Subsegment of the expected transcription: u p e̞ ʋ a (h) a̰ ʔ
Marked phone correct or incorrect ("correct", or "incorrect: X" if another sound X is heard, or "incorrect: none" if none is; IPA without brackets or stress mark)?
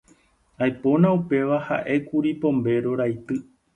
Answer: correct